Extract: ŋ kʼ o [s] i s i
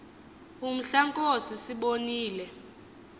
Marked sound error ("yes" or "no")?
no